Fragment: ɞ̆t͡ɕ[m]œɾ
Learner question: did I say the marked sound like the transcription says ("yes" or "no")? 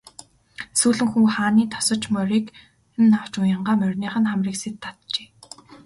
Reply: yes